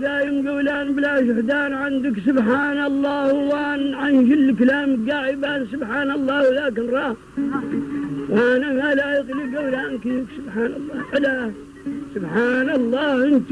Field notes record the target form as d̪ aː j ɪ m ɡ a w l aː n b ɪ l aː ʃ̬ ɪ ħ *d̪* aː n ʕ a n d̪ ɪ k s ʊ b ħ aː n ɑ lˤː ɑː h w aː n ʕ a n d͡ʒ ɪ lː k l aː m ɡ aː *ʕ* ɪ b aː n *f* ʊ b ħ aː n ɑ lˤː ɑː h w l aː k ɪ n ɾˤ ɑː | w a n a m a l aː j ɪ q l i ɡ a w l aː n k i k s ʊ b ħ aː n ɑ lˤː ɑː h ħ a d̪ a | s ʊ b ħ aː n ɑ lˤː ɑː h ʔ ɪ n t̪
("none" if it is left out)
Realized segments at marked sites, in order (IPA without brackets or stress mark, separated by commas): d̪, ʕ, s